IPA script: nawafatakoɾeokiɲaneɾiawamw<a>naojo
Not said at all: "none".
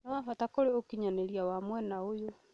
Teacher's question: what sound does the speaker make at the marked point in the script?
ɛ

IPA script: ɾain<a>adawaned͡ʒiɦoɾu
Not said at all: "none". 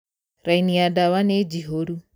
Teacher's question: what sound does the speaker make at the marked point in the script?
i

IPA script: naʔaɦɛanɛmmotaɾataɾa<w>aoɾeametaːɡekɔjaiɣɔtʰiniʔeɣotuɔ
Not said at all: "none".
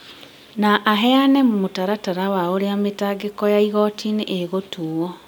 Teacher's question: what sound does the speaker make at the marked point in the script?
w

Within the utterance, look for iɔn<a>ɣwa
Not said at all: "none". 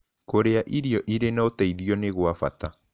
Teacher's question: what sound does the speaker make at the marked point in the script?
e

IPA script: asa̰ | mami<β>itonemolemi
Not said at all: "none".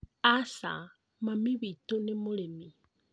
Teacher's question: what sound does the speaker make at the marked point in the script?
β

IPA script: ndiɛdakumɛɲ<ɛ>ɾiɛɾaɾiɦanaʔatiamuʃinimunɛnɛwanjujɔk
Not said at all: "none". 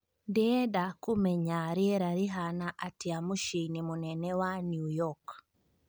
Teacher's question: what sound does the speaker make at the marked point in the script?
a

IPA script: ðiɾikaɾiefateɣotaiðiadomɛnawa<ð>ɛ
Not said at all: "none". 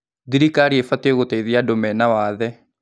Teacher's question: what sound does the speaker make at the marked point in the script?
ð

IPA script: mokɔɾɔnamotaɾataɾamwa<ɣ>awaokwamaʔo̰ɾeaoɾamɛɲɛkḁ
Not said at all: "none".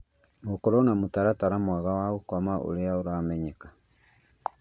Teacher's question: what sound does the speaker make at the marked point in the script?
ɣ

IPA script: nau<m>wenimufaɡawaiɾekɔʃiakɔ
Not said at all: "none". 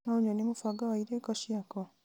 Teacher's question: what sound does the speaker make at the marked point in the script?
ɲ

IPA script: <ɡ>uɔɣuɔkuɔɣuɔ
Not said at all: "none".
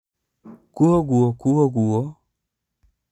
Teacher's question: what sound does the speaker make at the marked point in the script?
k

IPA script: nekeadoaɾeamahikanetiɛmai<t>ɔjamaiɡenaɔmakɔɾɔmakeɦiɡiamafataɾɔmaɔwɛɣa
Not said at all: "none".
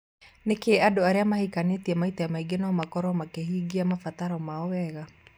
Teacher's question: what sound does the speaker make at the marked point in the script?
t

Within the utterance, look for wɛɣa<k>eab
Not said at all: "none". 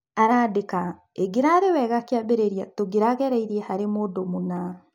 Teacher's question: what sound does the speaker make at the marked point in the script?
k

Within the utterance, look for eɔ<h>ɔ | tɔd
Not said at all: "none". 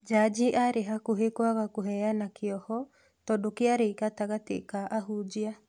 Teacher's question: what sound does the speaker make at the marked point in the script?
h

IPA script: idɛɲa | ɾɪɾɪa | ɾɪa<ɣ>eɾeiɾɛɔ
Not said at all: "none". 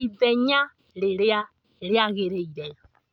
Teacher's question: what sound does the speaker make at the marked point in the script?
ɣ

